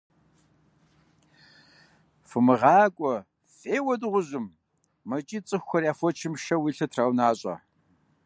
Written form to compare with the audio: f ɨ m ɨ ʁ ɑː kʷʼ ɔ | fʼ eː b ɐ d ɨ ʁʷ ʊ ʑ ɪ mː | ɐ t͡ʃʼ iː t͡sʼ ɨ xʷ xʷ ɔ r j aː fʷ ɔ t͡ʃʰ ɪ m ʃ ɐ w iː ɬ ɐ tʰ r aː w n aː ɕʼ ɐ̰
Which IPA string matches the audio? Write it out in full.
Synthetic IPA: f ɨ m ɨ ʁ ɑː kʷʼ ɔ | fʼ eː w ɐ d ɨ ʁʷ ʊ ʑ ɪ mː | ɐ t͡ʃʼ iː t͡sʼ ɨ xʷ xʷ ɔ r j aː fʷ ɔ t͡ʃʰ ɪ m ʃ ɐ w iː ɬ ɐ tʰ r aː w n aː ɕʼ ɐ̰